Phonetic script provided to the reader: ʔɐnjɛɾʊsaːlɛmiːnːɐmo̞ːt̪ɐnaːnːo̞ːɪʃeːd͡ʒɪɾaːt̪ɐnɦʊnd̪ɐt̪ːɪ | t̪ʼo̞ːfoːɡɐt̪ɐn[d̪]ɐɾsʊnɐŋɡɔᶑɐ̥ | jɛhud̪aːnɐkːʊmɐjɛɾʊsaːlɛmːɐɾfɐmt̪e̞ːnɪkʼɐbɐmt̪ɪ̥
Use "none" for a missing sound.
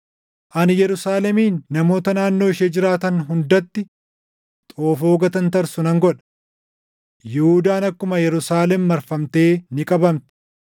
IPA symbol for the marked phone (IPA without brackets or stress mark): t̪